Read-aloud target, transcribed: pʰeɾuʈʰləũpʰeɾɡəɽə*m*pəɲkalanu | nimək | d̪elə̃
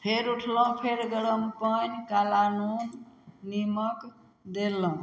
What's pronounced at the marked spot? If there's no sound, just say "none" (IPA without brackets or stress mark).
m